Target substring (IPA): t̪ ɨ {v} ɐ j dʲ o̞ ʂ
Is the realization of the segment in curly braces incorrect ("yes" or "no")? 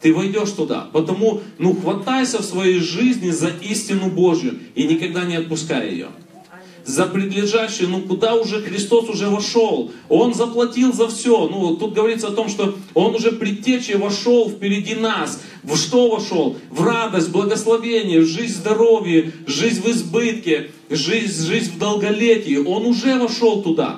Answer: no